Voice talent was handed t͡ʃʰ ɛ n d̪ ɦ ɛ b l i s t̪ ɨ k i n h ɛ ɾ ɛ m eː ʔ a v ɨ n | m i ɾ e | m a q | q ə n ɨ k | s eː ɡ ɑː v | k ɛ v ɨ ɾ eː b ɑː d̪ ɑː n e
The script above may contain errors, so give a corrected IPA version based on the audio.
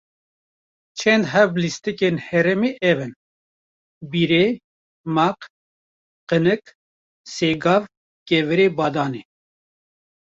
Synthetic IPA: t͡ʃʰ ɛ n d̪ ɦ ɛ b l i s t̪ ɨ k e n h ɛ ɾ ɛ m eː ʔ ɛ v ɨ n | b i ɾ e | m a q | q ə n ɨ k | s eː ɡ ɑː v | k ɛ v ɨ ɾ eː b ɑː d̪ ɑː n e